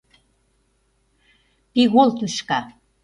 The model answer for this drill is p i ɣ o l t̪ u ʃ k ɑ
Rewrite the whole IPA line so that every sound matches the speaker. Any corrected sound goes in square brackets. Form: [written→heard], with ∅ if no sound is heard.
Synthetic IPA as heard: p i ɣ o l t̪ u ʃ k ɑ